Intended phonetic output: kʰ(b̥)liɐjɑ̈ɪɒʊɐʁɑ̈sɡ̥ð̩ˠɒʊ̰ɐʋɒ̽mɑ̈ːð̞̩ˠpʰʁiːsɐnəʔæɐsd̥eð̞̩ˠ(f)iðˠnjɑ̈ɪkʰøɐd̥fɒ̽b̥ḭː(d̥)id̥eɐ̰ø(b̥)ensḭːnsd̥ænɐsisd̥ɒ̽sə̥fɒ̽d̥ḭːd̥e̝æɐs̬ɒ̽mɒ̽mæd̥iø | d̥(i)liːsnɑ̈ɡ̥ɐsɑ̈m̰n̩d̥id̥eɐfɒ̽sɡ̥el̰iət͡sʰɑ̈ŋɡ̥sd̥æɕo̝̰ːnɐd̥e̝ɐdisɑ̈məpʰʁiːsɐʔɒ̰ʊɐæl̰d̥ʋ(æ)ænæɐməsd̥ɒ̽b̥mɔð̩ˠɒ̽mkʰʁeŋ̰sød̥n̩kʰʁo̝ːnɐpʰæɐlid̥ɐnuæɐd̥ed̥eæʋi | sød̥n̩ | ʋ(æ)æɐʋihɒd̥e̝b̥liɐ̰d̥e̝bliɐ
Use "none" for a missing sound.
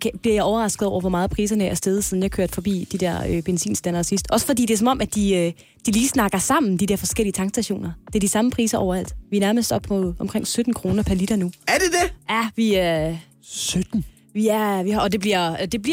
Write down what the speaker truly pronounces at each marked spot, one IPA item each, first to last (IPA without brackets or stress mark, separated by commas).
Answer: b̥, s, d̥, b̥, i, i, i